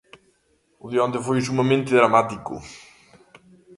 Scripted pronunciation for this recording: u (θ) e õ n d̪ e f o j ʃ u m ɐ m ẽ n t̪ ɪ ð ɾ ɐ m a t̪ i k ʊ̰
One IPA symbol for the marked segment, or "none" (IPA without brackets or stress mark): ð